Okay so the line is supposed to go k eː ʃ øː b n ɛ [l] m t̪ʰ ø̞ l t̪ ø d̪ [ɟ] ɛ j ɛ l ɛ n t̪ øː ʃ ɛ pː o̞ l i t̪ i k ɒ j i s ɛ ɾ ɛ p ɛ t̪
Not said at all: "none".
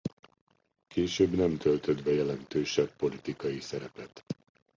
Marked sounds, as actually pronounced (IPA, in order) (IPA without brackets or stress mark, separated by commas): none, b